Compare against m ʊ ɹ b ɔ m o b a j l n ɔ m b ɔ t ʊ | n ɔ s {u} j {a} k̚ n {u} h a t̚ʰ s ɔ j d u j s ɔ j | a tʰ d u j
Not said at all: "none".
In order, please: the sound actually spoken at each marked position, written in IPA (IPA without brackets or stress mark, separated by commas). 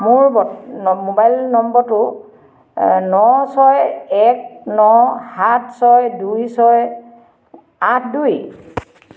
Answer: ɔ, ɛ, ɔ